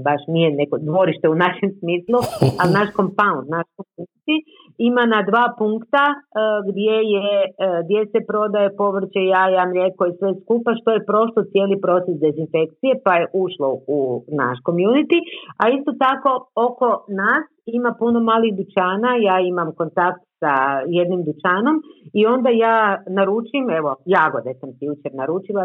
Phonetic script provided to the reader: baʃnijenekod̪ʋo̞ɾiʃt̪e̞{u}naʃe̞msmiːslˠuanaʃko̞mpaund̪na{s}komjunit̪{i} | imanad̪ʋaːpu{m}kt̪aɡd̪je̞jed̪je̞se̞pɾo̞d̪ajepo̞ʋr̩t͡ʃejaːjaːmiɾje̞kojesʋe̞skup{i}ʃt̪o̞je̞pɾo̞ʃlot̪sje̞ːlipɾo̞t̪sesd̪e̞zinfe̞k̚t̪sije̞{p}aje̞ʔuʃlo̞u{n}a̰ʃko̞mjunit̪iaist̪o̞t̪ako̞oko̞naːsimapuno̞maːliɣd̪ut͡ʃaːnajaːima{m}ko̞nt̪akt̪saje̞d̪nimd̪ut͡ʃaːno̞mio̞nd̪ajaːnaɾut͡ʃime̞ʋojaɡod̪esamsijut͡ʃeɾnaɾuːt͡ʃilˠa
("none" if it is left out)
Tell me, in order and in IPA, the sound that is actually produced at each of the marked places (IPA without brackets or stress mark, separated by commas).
u, ʃ, i, ŋ, a, p, n, m